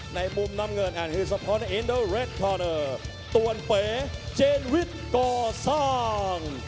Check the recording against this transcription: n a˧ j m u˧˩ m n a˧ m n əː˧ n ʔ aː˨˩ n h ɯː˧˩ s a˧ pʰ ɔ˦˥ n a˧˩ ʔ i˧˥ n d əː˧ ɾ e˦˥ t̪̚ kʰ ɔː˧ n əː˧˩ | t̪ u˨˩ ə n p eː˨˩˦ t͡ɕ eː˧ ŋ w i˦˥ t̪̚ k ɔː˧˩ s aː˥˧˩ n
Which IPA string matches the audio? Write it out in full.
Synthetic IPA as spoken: n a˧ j m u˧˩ m n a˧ m ŋ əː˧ n ʔ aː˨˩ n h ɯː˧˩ s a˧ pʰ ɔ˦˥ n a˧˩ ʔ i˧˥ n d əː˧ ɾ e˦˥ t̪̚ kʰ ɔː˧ n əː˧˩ | t̪ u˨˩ ə n p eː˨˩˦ t͡ɕ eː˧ n w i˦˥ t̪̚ k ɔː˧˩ s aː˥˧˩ ŋ